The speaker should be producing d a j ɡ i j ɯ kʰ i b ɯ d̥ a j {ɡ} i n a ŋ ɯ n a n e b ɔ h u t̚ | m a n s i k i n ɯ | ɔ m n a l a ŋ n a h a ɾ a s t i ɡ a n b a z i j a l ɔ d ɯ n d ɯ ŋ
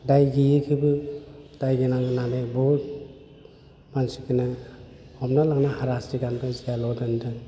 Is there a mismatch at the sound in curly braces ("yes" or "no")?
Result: no